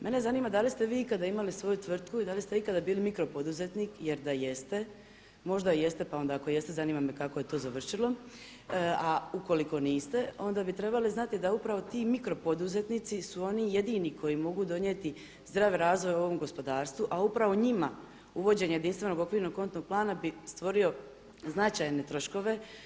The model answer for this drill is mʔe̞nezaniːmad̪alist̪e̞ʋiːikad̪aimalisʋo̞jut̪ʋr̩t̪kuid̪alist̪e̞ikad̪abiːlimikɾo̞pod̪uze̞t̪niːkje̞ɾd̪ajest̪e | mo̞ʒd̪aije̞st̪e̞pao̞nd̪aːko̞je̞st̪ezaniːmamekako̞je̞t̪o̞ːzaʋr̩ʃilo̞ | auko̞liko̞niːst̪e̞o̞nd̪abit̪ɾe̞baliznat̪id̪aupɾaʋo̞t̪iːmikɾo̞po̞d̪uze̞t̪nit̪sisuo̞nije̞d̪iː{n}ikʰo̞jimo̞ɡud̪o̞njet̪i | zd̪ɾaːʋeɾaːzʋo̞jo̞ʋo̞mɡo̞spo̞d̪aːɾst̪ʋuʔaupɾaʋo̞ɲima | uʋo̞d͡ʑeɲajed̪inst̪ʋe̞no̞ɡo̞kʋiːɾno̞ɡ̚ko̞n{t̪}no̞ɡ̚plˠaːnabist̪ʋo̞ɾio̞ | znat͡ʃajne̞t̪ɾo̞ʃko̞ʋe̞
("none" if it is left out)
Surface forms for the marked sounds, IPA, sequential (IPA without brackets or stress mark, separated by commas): n, t̪